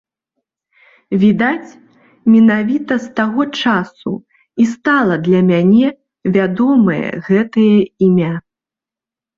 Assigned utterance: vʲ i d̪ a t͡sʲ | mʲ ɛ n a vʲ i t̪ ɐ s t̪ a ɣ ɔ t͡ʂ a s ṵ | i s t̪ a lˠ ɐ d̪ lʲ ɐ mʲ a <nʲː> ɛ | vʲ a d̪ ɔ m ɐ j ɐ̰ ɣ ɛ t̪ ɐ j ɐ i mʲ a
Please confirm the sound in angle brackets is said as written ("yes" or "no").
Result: no